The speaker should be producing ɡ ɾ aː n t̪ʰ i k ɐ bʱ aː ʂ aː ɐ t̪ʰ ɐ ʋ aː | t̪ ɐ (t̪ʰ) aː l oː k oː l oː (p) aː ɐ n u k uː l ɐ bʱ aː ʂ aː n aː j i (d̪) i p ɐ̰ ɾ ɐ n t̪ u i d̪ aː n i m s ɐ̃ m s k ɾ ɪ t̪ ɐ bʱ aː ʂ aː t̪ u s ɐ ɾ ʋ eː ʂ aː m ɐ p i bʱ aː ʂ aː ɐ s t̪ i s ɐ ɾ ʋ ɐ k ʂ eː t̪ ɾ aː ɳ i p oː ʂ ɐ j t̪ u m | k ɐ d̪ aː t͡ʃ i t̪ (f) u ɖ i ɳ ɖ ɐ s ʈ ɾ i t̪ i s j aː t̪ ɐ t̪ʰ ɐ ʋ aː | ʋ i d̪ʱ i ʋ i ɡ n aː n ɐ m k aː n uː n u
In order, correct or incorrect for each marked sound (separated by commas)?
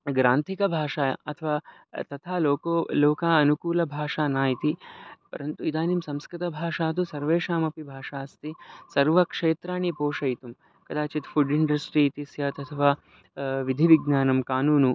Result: correct, incorrect, incorrect, correct